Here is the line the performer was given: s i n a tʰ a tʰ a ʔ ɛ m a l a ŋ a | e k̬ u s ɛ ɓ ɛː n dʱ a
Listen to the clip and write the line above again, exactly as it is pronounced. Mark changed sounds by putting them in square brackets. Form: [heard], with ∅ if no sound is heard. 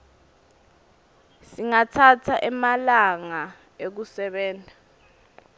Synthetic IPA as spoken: s i [ŋ] a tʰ a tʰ a ʔ ɛ m a l a ŋ a | e k̬ u s ɛ ɓ ɛː n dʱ a